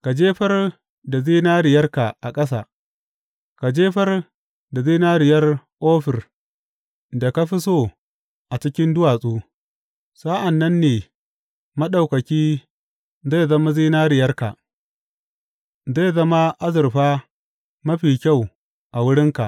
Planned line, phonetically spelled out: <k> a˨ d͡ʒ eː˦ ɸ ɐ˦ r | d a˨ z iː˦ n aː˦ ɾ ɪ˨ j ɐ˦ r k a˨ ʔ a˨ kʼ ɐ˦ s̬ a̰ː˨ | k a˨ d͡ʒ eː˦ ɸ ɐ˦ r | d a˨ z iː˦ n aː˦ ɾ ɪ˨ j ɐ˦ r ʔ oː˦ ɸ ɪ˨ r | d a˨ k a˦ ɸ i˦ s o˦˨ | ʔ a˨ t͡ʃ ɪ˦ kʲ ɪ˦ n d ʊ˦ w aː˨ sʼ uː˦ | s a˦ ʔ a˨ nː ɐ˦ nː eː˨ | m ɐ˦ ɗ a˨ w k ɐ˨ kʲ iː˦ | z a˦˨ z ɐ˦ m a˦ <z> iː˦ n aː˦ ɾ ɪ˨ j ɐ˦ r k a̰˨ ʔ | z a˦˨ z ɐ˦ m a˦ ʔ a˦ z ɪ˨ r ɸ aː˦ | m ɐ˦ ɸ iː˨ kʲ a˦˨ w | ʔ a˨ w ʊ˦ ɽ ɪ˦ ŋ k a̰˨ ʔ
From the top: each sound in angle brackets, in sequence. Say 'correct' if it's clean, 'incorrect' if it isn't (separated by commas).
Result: correct, correct